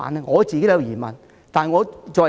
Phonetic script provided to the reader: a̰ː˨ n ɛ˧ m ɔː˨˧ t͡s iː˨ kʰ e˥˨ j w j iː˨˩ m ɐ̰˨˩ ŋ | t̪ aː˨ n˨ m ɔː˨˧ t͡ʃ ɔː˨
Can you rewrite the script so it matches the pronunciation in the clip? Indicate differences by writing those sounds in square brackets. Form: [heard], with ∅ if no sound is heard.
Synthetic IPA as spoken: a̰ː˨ n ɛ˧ [ŋ] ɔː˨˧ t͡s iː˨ [k] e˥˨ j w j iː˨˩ m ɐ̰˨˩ [n] | t̪ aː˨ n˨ [ŋ] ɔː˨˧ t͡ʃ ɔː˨